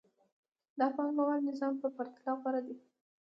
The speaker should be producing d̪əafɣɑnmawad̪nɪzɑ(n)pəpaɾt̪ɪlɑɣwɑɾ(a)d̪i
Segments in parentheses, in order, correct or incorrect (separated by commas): incorrect, correct